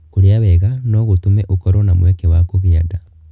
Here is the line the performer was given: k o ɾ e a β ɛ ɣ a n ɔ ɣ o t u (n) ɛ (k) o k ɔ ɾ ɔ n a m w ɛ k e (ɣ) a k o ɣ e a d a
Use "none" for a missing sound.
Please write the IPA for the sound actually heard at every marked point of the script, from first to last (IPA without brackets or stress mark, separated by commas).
m, ʔ, w